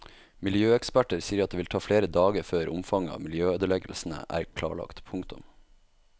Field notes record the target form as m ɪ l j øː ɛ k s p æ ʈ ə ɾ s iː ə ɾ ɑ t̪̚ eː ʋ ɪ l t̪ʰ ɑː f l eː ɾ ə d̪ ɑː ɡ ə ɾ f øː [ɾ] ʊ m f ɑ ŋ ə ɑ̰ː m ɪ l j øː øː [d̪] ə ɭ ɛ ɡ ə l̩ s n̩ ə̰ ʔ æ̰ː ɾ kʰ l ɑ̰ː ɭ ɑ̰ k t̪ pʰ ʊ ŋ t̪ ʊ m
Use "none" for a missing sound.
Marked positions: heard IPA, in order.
ɾ, d̪

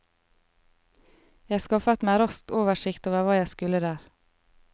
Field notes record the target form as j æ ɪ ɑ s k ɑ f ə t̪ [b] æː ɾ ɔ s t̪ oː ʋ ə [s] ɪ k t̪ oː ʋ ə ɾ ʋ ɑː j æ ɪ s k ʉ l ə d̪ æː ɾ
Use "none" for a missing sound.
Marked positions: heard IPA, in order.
m, ʃ

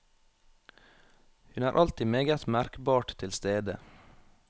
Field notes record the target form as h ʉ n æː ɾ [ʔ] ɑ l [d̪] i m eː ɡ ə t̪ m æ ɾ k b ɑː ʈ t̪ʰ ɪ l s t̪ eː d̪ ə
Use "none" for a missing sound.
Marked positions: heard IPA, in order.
ʔ, t̪

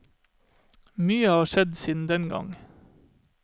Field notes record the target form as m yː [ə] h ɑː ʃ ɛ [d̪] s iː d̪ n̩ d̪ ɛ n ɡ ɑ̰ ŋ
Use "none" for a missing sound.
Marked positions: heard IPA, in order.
ə, d̪

